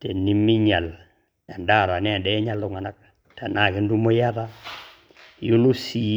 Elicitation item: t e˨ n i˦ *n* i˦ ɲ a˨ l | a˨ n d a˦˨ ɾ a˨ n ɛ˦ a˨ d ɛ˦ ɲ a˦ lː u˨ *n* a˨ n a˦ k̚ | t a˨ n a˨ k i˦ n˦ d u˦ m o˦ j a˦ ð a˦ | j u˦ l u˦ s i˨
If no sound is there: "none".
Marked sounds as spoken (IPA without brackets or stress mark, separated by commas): m, ŋ